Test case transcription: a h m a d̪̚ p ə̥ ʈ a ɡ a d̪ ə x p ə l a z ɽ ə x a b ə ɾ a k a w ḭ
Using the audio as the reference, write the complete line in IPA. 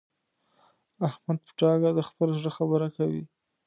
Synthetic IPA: a h m a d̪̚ p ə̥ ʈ ɑ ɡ a d̪ ə x p ə l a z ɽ ə x a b ə ɾ a k a w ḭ